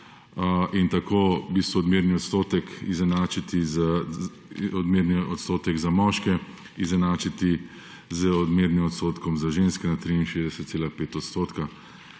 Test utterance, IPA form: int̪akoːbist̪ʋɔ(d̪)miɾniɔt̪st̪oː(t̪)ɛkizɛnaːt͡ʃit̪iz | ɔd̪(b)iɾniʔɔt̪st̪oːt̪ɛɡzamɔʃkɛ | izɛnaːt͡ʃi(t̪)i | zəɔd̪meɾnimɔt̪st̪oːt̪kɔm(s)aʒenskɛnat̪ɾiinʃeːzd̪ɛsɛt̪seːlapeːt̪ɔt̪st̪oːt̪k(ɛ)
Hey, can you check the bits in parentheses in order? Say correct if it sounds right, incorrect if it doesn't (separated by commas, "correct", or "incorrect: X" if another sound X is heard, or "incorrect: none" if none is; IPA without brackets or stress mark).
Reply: correct, correct, incorrect: m, correct, incorrect: z, incorrect: a